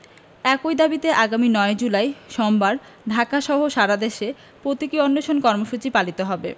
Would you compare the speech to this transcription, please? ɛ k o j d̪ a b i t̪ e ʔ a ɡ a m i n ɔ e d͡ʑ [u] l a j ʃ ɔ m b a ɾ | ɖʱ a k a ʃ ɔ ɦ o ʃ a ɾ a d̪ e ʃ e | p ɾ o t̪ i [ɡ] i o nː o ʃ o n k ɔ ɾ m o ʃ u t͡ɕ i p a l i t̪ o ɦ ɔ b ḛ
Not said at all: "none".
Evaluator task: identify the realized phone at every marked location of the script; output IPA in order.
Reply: u, k

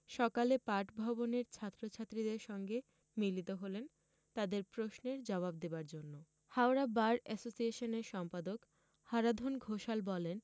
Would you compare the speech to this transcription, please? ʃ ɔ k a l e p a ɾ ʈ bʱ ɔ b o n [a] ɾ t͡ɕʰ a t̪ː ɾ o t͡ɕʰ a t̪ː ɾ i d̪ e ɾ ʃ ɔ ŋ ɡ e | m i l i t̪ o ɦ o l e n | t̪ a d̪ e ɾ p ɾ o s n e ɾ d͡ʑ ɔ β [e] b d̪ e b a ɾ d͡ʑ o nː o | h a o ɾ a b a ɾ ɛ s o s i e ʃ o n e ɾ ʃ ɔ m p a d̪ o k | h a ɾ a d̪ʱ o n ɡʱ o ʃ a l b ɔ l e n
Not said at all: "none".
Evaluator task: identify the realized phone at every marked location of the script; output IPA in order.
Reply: e, a

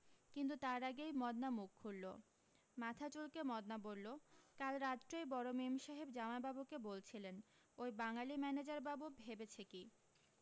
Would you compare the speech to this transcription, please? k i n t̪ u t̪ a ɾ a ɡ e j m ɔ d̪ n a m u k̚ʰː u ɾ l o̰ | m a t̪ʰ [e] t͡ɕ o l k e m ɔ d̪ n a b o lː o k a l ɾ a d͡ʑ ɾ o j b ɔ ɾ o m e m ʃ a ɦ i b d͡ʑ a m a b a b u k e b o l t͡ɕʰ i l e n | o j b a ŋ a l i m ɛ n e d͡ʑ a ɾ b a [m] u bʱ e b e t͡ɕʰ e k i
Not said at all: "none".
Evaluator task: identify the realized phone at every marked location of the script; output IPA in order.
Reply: a, b

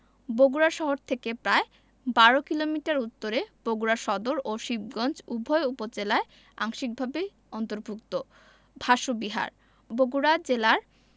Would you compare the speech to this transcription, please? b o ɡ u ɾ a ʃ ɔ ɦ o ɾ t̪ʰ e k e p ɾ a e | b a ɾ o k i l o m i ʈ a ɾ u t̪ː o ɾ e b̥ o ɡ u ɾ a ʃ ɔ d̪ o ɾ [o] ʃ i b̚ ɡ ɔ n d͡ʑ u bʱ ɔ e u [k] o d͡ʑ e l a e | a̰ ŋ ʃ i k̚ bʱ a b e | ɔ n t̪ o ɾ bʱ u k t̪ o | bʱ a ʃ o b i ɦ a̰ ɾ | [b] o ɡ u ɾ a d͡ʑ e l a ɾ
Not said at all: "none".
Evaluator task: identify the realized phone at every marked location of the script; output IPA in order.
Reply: o, p, b

